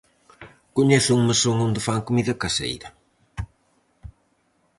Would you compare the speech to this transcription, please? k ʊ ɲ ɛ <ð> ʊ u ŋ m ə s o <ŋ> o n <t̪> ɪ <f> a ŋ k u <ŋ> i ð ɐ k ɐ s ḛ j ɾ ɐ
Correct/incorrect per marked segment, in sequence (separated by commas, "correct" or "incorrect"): incorrect, correct, incorrect, correct, incorrect